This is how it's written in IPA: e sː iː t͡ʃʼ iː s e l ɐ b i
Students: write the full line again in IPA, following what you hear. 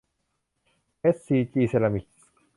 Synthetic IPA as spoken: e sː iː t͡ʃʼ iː s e l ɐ m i